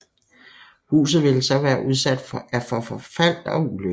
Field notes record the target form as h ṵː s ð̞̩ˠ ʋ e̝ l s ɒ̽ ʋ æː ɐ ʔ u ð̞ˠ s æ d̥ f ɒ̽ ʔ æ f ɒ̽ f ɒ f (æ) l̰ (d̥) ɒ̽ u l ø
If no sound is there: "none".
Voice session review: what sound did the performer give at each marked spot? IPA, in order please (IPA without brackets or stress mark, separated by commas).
æ, d̥